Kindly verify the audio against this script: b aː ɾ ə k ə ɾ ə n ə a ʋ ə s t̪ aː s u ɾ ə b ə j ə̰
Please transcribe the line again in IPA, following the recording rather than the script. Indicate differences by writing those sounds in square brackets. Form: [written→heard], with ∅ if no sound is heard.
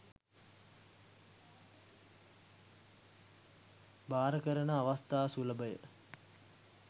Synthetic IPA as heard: b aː ɾ ə k ə ɾ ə n ə a ʋ [ə→a] s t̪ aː s u [ɾ→l] ə b ə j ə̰